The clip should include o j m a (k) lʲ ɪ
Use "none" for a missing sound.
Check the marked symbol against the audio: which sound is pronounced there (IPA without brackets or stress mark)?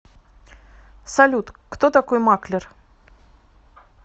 k